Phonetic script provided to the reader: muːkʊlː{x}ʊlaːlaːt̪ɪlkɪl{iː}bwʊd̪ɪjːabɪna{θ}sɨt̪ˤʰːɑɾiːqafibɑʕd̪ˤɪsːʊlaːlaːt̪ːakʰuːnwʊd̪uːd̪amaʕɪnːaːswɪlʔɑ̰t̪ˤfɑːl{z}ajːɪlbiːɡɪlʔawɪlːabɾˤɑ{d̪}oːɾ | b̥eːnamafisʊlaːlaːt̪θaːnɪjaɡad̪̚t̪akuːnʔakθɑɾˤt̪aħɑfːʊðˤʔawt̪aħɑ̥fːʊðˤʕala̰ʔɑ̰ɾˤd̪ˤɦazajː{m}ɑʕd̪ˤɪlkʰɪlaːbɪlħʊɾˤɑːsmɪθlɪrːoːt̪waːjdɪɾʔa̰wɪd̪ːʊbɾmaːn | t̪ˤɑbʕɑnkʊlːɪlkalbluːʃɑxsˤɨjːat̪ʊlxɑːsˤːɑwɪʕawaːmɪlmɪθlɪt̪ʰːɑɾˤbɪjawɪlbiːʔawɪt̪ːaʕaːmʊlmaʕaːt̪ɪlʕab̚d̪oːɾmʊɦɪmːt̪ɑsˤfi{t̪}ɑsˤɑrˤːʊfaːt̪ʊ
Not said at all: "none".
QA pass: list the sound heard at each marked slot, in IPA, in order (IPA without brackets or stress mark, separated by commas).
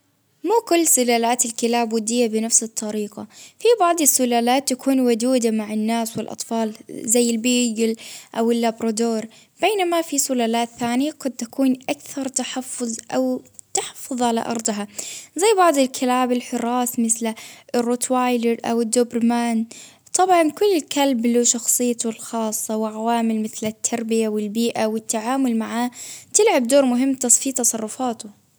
s, aː, f, z, d̪, b, t̪